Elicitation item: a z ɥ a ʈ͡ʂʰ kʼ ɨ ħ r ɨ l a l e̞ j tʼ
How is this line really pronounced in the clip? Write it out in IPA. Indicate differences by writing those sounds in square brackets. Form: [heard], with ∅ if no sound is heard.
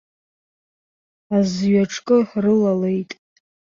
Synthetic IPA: a z ɥ a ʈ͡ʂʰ kʼ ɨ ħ r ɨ l a l e̞ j tʼ